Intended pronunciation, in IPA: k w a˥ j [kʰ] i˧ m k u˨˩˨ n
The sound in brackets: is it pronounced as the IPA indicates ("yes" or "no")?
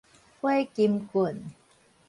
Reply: no